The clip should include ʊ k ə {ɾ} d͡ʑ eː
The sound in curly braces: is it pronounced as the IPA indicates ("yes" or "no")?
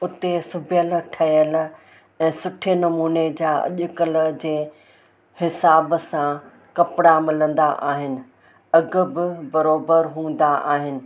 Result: no